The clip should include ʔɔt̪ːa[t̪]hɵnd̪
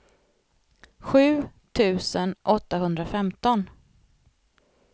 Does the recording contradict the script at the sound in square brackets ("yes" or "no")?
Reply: yes